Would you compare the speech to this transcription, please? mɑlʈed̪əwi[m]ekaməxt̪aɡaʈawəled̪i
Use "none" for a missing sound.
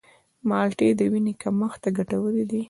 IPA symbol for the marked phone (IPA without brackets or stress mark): n